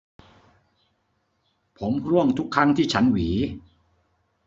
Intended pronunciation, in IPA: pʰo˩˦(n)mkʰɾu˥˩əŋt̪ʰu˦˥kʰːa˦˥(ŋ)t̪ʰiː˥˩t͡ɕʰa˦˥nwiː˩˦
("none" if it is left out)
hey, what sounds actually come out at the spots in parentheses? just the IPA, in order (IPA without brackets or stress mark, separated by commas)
none, ŋ